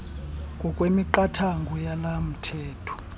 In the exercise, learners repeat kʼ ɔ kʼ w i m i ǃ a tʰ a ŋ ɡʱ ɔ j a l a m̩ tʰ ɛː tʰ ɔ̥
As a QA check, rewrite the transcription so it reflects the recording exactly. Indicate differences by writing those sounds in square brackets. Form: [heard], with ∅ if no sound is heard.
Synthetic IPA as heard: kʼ ɔ kʼ w [e] m i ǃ a tʰ a ŋ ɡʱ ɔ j a l a m̩ tʰ ɛː tʰ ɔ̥